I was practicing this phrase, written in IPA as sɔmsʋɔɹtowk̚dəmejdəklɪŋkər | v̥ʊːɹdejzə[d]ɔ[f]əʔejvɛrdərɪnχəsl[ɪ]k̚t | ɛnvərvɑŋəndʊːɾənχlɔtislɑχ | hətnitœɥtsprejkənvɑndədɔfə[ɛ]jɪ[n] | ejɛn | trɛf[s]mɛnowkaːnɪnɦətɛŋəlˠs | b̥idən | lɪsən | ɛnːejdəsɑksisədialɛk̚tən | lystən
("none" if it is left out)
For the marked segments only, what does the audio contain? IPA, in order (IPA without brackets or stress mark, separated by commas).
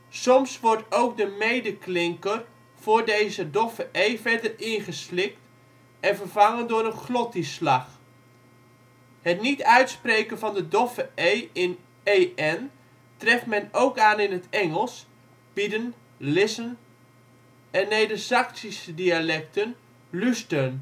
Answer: d, f, ɪ, e, n, t